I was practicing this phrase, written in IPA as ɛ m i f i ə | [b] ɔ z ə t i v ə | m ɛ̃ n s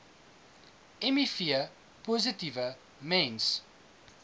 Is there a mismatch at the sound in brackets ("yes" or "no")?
yes